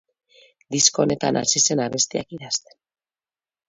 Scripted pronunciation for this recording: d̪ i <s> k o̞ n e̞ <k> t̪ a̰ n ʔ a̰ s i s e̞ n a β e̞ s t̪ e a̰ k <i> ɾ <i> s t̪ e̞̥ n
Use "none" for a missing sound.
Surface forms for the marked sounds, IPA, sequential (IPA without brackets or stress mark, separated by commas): s, none, i, a